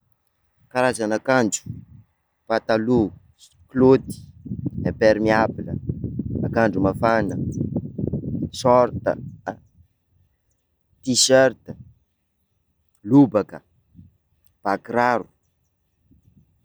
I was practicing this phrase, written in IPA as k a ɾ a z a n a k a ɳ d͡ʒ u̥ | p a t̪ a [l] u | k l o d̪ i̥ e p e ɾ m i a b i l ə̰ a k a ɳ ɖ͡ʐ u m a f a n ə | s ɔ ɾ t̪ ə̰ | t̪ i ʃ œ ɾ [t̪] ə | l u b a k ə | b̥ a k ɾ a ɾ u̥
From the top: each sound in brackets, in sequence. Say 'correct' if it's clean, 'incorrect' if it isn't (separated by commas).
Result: correct, correct